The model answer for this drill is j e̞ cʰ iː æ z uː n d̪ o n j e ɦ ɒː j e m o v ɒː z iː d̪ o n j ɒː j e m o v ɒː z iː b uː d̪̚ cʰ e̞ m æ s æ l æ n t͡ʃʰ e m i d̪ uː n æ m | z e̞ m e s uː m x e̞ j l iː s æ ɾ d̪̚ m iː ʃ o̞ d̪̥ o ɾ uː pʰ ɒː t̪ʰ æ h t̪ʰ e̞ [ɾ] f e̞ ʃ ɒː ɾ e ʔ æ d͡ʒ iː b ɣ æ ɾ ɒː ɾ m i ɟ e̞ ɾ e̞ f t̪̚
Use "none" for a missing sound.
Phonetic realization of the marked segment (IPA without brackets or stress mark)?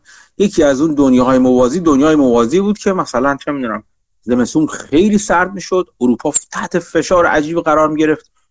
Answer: none